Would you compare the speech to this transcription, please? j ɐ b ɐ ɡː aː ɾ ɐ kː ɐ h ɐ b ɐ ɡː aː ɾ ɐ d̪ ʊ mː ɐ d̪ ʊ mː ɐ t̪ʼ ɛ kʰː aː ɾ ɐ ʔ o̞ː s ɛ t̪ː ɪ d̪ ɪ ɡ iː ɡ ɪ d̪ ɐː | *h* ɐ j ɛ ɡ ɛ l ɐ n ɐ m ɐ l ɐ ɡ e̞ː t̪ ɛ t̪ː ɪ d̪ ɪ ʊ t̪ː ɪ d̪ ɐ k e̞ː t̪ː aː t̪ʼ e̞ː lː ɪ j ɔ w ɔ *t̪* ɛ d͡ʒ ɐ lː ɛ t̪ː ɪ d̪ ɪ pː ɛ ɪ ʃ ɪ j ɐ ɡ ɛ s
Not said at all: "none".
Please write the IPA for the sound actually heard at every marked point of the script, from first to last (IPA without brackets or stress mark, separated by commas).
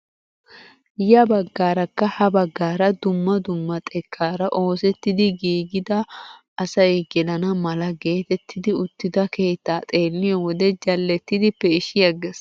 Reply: s, d̪